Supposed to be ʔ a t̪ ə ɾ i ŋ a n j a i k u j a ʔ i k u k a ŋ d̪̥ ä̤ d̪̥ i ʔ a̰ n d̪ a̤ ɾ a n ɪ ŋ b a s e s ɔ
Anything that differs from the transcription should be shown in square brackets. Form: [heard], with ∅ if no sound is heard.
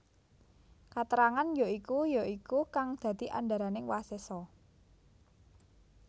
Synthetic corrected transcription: [k] a t̪ ə ɾ [a] ŋ a n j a i k u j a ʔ i k u k a ŋ d̪̥ ä̤ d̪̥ i ʔ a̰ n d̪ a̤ ɾ a n ɪ ŋ [w] a s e s ɔ